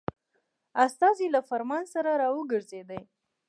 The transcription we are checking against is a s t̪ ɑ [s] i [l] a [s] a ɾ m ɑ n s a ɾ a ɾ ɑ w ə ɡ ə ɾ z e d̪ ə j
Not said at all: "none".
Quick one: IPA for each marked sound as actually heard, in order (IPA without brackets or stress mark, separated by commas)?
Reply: z, l, f